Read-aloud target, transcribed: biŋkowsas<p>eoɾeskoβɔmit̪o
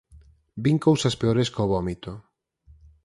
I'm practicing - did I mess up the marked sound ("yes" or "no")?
no